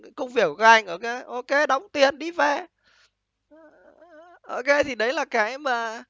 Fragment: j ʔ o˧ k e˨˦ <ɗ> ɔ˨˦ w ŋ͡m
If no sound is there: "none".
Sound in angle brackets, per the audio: ɗ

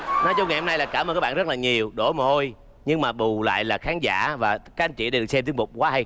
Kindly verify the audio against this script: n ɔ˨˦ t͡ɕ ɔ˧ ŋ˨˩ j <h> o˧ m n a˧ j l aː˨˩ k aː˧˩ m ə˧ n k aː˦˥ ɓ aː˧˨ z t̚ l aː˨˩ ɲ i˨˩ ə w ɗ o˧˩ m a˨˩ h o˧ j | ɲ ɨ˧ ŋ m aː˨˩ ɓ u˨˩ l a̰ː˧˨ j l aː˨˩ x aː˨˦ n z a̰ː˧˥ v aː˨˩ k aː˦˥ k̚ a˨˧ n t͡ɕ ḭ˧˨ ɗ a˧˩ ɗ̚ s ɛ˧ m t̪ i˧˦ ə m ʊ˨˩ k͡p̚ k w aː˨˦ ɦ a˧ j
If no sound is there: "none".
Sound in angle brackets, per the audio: h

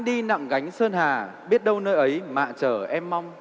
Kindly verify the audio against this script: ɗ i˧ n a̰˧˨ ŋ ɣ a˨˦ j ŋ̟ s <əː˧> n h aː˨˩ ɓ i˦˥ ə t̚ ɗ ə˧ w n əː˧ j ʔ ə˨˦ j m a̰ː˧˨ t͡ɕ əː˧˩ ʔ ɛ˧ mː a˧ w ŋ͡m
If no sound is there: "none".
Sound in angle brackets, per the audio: əː˧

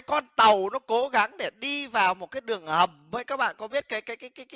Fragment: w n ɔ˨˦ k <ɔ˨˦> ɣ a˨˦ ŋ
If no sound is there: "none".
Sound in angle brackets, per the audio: o˨˦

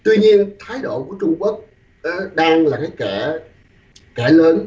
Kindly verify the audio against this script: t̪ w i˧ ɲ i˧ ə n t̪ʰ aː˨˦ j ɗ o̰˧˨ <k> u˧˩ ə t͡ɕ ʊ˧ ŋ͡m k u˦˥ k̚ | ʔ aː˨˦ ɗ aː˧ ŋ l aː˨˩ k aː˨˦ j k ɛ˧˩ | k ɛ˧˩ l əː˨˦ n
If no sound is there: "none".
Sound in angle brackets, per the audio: k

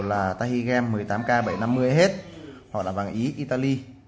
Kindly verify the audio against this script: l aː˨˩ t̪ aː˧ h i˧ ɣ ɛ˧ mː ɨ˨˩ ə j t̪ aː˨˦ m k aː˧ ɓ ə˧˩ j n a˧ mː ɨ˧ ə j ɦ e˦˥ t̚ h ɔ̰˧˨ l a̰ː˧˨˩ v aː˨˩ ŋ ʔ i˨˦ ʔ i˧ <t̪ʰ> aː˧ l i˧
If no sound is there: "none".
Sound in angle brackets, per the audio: t̪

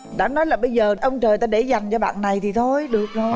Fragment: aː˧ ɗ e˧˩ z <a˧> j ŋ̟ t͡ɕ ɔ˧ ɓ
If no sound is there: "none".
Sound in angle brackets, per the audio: a˨˩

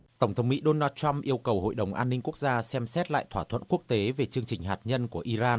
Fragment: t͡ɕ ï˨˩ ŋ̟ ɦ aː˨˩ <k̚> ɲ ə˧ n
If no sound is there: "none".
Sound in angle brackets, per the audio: t̚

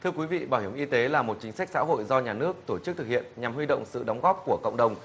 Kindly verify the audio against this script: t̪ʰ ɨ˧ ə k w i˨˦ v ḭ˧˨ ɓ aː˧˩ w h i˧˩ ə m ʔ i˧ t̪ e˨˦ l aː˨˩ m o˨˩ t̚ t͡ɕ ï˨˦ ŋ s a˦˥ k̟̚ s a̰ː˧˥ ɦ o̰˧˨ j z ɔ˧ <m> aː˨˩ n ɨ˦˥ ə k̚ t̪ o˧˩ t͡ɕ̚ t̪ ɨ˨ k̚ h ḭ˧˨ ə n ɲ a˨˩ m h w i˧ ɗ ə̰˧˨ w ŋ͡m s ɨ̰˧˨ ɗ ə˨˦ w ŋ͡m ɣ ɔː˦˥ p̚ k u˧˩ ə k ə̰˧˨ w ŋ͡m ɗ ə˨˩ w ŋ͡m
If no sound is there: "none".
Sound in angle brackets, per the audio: ɲ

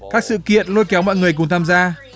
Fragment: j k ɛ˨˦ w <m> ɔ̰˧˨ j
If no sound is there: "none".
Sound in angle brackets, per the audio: m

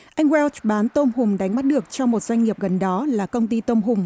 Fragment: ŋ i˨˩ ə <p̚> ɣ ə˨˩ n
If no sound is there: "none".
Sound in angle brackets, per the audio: p̚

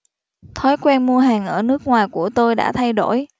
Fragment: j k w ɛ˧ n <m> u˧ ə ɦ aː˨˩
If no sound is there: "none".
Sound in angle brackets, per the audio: m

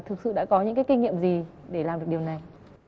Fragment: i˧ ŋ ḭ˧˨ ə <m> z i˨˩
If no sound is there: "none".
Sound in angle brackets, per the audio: m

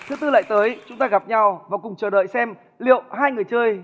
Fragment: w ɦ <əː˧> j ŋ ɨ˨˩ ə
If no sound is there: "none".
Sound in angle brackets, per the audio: aː˧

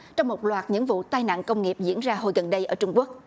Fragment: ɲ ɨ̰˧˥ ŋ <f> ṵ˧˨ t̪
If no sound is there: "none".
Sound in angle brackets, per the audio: v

